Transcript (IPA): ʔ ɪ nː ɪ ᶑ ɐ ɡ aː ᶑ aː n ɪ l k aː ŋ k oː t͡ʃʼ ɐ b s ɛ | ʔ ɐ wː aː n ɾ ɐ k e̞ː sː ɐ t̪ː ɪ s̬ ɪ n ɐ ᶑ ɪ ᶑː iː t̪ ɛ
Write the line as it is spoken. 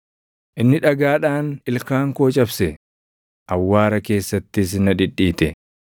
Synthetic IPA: ʔ ɪ nː ɪ ᶑ ɐ ɡ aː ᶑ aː n ɪ l k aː ŋ k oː t͡ʃʼ ɐ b s ɛ | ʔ ɐ wː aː ɾ ɐ k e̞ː sː ɐ t̪ː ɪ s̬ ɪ n ɐ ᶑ ɪ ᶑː iː t̪ ɛ